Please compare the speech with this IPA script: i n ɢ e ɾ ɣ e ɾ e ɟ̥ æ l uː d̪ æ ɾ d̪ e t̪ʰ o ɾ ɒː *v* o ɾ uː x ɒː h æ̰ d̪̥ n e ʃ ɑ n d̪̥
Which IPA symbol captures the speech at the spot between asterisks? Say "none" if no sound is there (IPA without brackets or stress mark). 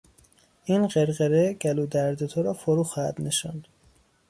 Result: f